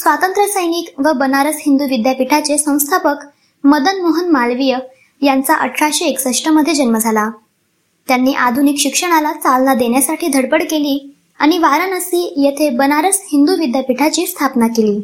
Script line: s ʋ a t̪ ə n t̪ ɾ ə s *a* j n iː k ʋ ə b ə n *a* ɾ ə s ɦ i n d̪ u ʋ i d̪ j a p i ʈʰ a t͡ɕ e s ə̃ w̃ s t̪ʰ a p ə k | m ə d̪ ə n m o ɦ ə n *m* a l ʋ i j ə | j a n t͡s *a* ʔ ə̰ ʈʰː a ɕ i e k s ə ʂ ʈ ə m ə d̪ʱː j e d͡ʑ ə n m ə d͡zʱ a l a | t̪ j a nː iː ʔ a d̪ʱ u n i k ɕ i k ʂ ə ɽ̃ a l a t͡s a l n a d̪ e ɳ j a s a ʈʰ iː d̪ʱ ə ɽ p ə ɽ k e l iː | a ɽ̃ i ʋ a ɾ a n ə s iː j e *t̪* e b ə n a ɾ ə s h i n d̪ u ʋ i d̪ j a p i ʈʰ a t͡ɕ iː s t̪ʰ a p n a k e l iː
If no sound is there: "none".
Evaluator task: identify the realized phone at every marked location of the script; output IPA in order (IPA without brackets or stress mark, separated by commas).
ə, a, m, a, t̪ʰ